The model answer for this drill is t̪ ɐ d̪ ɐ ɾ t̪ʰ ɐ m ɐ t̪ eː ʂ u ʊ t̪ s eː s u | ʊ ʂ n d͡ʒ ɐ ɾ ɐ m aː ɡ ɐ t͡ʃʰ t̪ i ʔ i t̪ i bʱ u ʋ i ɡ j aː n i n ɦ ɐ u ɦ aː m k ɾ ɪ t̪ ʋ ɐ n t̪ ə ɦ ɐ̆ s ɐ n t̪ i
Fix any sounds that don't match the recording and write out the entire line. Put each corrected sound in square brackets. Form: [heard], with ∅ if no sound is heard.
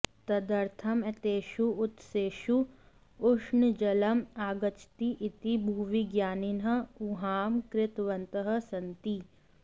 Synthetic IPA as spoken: t̪ ɐ d̪ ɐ ɾ t̪ʰ ɐ m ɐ t̪ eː [ʃ] u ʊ t̪ s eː [ʃ] u | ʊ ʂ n d͡ʒ ɐ [l] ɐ m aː ɡ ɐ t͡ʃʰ t̪ i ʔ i t̪ i bʱ u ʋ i ɡ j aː n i n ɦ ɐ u ɦ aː m k ɾ ɪ t̪ ʋ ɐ n t̪ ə ɦ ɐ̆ s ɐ n t̪ i